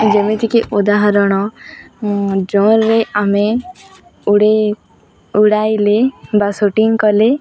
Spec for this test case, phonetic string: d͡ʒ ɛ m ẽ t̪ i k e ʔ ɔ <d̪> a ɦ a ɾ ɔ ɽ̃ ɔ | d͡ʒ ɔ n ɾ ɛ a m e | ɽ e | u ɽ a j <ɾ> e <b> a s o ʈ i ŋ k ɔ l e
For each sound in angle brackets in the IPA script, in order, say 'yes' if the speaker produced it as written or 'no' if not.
yes, no, yes

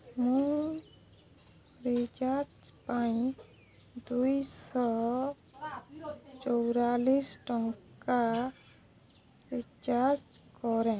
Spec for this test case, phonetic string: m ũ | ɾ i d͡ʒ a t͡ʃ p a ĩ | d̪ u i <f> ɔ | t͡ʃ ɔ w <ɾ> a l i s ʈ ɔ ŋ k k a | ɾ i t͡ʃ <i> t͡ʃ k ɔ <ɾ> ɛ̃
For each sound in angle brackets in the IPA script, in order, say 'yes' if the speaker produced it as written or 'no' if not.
no, yes, no, yes

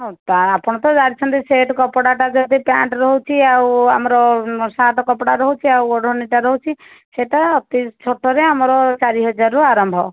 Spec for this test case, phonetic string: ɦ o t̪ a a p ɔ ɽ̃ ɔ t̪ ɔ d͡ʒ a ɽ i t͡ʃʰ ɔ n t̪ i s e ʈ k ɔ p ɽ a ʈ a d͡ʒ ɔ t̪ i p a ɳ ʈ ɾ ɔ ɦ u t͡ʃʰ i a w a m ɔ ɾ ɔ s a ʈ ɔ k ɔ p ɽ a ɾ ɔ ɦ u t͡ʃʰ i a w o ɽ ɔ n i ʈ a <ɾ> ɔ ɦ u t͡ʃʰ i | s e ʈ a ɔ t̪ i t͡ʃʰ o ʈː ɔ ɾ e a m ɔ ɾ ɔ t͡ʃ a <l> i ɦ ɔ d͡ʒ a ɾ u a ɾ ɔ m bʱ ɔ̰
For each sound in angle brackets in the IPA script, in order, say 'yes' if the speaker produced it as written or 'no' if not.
yes, no

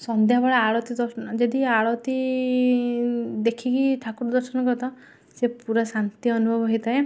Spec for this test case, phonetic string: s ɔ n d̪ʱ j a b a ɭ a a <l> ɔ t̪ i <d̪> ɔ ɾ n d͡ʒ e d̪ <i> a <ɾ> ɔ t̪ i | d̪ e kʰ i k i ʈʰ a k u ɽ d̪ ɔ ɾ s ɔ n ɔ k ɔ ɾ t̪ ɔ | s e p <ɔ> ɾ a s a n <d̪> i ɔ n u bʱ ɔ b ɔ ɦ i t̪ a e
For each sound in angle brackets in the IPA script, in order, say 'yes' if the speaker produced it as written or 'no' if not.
no, yes, yes, no, no, no

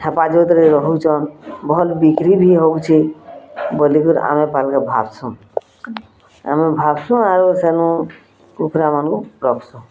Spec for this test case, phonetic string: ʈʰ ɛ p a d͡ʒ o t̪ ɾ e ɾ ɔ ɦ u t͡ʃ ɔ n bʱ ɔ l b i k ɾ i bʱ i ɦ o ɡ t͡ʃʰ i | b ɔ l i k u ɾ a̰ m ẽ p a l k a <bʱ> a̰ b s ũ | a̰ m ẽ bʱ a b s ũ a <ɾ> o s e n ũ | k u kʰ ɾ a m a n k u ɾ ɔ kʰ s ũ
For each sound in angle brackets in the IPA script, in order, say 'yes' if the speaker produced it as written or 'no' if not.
yes, yes

